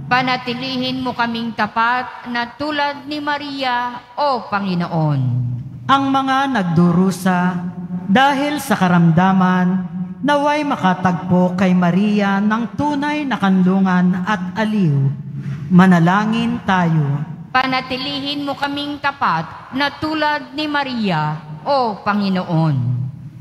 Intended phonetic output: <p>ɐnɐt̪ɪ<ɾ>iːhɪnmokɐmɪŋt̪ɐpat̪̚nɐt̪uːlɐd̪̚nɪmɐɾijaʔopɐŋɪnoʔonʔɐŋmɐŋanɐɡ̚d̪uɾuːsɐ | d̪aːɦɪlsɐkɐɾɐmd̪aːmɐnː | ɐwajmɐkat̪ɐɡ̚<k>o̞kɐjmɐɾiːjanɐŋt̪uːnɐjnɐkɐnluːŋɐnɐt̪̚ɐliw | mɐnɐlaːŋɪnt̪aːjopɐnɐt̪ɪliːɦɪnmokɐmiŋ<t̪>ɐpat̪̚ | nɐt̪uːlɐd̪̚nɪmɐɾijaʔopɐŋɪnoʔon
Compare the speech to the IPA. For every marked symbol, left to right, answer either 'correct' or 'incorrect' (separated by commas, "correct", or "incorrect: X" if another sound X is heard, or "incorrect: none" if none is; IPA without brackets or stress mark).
correct, incorrect: l, incorrect: p, correct